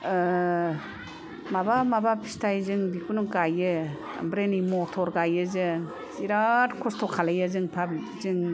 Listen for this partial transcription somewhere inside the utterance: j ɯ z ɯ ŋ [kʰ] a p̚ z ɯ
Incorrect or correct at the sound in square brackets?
incorrect: pʰ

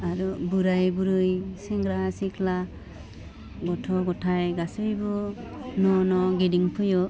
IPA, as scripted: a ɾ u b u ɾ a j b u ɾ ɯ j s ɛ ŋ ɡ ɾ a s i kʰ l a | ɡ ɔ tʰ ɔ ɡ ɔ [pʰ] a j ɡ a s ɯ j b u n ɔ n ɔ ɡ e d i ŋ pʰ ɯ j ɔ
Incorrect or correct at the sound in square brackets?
incorrect: tʰ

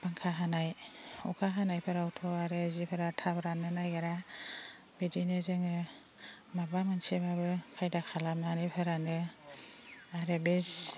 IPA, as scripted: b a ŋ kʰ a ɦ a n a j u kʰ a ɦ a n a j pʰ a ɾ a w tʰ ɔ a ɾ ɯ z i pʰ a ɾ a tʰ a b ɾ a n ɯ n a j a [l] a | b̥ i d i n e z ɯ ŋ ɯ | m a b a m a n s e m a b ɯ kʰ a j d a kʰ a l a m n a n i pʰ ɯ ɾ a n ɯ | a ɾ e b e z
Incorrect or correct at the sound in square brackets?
incorrect: ɾ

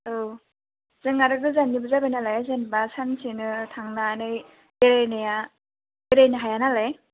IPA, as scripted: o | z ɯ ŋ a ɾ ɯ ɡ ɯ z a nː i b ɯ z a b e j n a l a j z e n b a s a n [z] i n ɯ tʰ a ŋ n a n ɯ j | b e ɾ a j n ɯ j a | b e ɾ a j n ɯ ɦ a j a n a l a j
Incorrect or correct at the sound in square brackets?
incorrect: s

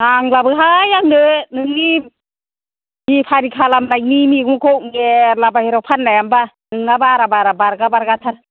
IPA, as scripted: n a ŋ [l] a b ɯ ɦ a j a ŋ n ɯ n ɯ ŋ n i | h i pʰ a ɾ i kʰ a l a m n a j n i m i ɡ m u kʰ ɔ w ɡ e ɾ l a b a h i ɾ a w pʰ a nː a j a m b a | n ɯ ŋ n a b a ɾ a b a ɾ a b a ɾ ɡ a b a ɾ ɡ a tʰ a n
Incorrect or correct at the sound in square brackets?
correct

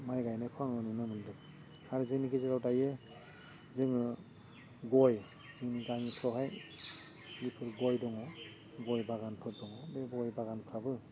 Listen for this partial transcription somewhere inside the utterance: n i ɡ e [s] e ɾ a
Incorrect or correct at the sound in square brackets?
incorrect: z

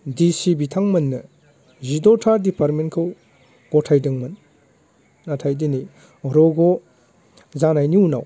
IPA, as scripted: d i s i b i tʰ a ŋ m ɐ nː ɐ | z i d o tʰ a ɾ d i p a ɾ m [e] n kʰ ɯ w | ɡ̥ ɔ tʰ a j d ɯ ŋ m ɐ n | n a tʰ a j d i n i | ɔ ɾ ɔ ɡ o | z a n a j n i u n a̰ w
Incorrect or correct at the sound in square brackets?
correct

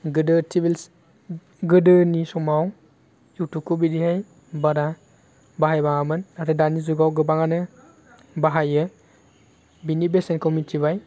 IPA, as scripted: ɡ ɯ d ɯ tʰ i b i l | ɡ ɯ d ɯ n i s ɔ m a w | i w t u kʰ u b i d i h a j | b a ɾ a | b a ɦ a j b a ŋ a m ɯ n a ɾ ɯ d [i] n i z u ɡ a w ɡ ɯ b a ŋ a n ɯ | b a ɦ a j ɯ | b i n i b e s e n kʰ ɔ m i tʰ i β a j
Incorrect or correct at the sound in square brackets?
incorrect: a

